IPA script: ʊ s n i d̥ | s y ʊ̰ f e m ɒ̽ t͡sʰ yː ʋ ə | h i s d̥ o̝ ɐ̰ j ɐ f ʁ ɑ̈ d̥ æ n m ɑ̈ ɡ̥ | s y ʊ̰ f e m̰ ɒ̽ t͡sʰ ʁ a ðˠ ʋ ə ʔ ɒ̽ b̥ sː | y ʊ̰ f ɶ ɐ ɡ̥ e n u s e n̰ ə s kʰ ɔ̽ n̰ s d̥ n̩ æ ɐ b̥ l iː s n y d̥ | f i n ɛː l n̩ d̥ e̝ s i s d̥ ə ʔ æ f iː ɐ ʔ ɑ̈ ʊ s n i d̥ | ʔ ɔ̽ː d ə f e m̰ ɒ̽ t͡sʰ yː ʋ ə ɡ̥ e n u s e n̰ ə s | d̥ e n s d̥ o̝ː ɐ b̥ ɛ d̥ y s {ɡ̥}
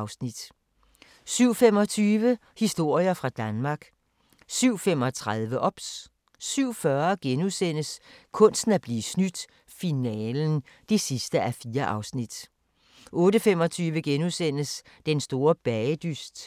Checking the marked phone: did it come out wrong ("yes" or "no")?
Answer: yes